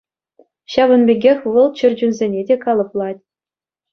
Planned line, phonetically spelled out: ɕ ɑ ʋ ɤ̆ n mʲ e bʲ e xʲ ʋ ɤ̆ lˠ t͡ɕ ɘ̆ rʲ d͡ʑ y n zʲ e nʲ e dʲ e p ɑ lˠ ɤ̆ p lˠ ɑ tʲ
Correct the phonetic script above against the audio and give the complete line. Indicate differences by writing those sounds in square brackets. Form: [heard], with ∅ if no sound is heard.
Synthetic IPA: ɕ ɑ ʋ ɤ̆ n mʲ e [ɡʲ] e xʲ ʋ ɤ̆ lˠ t͡ɕ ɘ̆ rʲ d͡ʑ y n zʲ e nʲ e dʲ e [k] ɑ lˠ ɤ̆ p lˠ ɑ tʲ